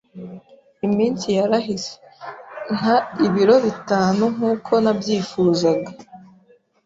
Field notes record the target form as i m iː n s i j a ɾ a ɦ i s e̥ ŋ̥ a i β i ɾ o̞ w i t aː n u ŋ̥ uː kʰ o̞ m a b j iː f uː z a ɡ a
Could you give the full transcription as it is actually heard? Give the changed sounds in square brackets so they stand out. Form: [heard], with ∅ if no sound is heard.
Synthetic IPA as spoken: i m iː n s i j a ɾ a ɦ i s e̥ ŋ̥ a i β i ɾ o̞ [β] i t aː n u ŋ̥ uː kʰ o̞ [n] a b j iː f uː z a ɡ a